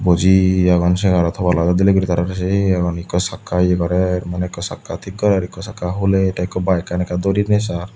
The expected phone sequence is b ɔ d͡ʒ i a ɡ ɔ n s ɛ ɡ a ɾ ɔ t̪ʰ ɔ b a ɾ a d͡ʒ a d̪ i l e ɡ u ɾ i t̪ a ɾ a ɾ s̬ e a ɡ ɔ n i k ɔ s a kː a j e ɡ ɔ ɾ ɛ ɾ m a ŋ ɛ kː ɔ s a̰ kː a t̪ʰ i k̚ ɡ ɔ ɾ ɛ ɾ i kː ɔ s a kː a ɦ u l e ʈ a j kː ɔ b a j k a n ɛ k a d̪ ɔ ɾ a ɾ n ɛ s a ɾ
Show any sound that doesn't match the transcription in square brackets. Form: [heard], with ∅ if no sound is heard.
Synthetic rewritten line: b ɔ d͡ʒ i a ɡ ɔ n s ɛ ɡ a ɾ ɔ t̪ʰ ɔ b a [l] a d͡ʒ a d̪ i l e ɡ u ɾ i t̪ a ɾ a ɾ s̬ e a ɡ ɔ n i k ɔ s a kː a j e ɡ ɔ ɾ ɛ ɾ m a [n] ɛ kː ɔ s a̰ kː a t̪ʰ i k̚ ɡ ɔ ɾ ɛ ɾ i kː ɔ s a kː a ɦ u l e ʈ a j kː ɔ b a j k a n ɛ k a d̪ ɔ ɾ [i] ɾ n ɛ s a ɾ

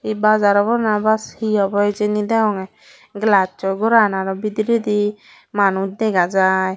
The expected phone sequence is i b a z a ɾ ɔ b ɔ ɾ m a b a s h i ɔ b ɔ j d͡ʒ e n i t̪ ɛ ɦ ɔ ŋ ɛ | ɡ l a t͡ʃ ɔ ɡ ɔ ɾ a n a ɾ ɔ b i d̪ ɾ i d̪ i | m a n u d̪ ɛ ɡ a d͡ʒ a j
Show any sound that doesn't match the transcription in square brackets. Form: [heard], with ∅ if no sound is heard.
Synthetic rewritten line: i b a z a ɾ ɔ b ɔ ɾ [n] a b a s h i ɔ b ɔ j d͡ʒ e n i [d̪] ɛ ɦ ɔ ŋ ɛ | ɡ l a t͡ʃ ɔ ɡ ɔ ɾ a n a ɾ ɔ b i d̪ ɾ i d̪ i | m a n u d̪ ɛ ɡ a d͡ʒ a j

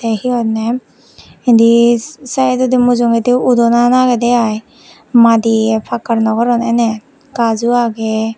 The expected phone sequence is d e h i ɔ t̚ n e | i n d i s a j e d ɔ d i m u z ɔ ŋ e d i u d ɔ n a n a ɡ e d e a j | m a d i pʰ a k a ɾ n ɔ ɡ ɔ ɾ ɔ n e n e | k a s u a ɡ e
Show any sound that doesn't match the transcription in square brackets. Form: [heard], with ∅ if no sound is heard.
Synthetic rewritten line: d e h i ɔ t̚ n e | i n d i s a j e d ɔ d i m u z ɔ ŋ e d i u d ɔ n a n a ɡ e d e a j | m a d i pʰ a k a ɾ n ɔ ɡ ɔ ɾ ɔ n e n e | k a [z] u a ɡ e

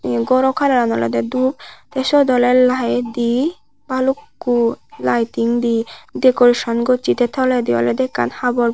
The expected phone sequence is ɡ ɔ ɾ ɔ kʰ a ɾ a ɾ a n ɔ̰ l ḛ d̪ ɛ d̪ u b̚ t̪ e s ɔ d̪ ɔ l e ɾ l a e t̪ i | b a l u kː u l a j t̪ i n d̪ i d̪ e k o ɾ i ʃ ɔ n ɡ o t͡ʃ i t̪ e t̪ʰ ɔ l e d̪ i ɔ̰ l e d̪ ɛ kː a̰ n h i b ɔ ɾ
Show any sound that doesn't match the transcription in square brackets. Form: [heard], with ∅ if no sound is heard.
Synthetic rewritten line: ɡ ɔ ɾ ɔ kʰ a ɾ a ɾ a n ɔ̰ l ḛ d̪ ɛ d̪ u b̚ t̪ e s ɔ d̪ ɔ l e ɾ l a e [d̪] i | b a l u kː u l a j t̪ i [ŋ] d̪ i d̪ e k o ɾ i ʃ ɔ n ɡ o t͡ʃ i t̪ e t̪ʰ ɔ l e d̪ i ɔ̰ l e d̪ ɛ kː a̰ n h [a] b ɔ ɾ

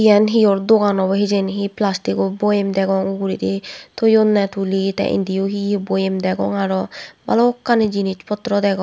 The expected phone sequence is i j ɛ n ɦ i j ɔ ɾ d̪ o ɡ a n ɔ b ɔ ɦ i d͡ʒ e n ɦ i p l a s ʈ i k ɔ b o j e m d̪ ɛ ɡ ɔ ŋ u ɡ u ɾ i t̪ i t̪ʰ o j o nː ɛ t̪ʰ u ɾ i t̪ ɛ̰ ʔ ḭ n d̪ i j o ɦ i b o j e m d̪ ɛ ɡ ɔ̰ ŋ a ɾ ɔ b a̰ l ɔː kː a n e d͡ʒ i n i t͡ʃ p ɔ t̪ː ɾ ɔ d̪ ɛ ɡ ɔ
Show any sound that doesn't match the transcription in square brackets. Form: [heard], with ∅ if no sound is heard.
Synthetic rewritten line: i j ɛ n ɦ i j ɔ ɾ d̪ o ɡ a n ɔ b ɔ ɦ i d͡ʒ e n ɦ i p l a s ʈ i k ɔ b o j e m d̪ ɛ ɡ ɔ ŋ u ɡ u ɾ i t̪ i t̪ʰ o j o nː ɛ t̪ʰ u [l] i t̪ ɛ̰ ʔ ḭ n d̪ i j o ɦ i b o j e m d̪ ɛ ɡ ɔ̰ ŋ a ɾ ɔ b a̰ l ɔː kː a n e d͡ʒ i n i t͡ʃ p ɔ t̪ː ɾ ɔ d̪ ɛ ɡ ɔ

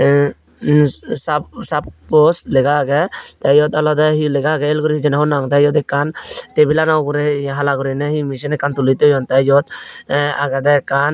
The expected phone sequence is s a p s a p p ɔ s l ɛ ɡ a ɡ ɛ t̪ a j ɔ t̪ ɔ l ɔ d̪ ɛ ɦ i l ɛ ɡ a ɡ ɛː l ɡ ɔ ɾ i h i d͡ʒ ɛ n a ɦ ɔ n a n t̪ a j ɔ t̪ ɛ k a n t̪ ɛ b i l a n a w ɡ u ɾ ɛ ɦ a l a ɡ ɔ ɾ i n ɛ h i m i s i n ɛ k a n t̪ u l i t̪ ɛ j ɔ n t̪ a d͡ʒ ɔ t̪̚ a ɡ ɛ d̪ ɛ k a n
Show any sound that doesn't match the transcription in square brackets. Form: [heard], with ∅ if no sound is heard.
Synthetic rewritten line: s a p s a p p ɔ s l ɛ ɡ a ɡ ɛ t̪ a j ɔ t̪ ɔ l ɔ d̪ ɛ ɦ i l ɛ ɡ a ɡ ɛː l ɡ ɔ ɾ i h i d͡ʒ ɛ n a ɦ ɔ n a [ŋ] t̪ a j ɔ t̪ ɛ k a n t̪ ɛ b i l a n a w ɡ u ɾ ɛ ɦ a l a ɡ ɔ ɾ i n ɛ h i m i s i n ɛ k a n t̪ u l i t̪ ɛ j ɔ n t̪ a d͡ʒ ɔ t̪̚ a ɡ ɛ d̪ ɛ k a n

